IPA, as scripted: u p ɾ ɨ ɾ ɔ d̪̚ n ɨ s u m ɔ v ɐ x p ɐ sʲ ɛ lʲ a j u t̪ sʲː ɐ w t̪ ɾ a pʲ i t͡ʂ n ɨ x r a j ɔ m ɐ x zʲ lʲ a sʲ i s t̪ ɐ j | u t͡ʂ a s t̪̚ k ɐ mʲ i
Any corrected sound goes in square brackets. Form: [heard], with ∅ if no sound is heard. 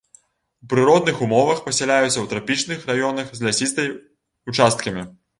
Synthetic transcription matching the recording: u p ɾ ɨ ɾ ɔ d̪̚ n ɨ [x] u m ɔ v ɐ x p ɐ sʲ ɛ lʲ a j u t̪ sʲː ɐ w t̪ ɾ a pʲ i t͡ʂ n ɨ x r a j ɔ [n] ɐ x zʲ lʲ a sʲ i s t̪ ɐ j | u t͡ʂ a s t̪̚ k ɐ mʲ i